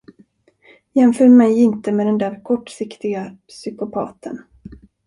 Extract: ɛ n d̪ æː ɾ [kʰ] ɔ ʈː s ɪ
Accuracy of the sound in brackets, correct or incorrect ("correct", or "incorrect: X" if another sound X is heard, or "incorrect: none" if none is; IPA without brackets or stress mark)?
correct